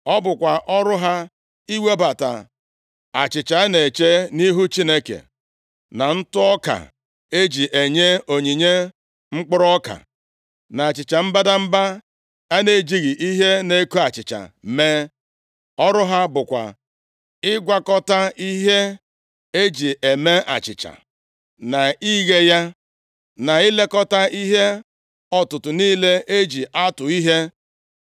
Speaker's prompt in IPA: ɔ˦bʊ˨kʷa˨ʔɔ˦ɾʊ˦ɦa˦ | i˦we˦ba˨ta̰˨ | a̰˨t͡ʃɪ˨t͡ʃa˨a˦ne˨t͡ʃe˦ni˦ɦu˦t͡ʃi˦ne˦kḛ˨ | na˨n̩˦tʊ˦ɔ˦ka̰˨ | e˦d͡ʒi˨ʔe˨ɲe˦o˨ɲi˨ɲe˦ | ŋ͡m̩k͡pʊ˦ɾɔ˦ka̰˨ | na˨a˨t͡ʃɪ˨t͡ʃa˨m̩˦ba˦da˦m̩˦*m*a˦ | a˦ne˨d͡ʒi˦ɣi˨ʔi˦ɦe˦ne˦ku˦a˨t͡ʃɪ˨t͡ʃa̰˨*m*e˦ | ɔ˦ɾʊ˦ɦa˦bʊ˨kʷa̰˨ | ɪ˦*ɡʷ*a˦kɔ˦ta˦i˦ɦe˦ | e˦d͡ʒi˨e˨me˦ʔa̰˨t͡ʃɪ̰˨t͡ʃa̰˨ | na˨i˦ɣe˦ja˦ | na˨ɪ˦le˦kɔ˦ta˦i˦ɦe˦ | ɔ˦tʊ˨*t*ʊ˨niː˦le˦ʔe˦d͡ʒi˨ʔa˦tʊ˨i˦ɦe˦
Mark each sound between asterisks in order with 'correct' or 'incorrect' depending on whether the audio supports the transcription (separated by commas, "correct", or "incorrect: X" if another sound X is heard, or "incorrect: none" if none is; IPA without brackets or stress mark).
incorrect: b, correct, correct, correct